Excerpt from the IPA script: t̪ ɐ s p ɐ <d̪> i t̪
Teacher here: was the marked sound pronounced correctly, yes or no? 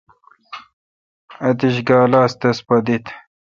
yes